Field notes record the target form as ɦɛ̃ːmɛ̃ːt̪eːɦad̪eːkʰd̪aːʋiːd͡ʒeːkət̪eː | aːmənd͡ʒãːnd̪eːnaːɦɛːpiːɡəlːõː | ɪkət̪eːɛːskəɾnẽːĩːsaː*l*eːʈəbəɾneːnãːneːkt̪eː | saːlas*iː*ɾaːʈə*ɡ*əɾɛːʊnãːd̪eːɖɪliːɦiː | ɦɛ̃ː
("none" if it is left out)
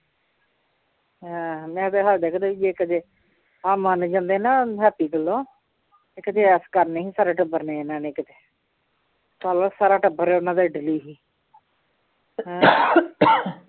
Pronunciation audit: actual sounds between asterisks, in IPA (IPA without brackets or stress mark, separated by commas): ɾ, aː, b